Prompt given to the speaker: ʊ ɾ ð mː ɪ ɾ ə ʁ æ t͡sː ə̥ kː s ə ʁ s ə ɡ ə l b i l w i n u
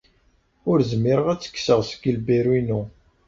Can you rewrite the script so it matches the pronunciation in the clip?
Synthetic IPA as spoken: ʊ ɾ z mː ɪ ɾ ə ʁ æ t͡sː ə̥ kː s ə ʁ s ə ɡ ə l b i ɾ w i n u